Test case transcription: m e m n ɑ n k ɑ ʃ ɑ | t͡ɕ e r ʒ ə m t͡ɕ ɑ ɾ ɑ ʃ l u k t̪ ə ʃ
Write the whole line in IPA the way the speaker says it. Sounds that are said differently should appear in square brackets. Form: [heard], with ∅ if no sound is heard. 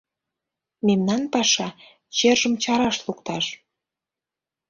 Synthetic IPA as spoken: m e m n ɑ n [p] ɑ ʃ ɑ | t͡ɕ e r ʒ ə m t͡ɕ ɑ ɾ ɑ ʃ l u k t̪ [ɑ] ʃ